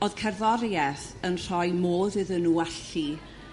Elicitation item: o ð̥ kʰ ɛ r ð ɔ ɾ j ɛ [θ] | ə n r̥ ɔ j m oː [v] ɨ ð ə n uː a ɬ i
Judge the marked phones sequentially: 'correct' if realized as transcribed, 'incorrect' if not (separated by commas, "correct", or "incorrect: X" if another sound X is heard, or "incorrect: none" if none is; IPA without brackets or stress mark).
correct, incorrect: ð